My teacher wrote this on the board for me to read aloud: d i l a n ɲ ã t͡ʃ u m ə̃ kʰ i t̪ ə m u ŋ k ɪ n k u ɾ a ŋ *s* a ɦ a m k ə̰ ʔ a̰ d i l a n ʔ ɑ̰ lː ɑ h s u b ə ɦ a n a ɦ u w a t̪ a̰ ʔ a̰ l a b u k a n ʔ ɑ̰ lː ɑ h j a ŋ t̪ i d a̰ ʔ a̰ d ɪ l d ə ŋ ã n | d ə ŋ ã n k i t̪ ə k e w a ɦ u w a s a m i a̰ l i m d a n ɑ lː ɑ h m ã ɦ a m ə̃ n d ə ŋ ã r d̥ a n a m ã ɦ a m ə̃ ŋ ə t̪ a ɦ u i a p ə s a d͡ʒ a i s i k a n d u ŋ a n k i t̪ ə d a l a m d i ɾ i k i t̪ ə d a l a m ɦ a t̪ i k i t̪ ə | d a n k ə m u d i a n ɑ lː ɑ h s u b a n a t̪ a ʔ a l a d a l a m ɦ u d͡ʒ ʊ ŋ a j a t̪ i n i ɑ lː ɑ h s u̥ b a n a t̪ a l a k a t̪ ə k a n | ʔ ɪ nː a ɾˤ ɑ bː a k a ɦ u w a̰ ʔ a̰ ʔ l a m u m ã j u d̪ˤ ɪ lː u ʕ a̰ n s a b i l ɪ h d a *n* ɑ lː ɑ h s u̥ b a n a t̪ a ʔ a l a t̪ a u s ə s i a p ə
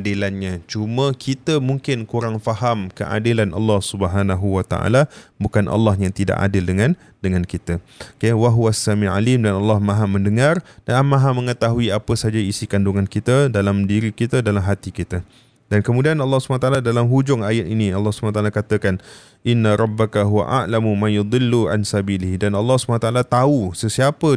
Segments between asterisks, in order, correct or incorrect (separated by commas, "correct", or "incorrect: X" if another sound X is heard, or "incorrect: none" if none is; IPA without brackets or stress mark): incorrect: f, correct